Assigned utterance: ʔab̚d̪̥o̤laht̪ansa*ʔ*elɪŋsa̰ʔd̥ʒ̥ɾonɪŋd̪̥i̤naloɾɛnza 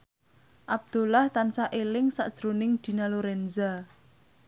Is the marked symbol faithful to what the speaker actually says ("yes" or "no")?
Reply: yes